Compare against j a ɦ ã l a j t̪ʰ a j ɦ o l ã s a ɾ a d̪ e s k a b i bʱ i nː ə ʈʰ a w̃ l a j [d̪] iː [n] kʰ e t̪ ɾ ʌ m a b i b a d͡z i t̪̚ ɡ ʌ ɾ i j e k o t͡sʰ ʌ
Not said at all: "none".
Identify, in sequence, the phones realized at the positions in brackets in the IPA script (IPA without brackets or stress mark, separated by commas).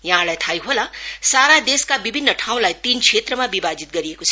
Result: t̪, n